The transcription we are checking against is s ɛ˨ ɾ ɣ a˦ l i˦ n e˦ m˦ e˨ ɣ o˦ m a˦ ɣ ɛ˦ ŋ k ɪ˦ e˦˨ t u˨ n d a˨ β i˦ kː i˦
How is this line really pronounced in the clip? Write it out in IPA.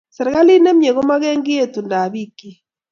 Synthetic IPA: s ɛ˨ ɾ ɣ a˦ l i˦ n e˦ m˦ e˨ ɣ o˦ m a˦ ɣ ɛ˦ ŋ ɡ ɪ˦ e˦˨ t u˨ n d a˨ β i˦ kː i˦